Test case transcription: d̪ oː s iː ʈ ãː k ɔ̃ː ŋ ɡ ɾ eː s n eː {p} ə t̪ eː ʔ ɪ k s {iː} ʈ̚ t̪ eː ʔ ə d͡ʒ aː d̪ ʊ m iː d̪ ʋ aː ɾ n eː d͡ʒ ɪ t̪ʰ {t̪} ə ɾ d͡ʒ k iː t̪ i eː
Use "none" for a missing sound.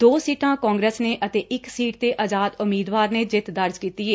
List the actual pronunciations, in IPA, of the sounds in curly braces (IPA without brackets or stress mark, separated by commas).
ʔ, iː, d̪